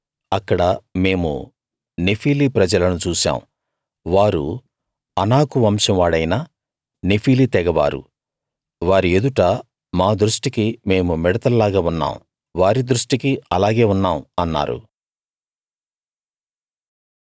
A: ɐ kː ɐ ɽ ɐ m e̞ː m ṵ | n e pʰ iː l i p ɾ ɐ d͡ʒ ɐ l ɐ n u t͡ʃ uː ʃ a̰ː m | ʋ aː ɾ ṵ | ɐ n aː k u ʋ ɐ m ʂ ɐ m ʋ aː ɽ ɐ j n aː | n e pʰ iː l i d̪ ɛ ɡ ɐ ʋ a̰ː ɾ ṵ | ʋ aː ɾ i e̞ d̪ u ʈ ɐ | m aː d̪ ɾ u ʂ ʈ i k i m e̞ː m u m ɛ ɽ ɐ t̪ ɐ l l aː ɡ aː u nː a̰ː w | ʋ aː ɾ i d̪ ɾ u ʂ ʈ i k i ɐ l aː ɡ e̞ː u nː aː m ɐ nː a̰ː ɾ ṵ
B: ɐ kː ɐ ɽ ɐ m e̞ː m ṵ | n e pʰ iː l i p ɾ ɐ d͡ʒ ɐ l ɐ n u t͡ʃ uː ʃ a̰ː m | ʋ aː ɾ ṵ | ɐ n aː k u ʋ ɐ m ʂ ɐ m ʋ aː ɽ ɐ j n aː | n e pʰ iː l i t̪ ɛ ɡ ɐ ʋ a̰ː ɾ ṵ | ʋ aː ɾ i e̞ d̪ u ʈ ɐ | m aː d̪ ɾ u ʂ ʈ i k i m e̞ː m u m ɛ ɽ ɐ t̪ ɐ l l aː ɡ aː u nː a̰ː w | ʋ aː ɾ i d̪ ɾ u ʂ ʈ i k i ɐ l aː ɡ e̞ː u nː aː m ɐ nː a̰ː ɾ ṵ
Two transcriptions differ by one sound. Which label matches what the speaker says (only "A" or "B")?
B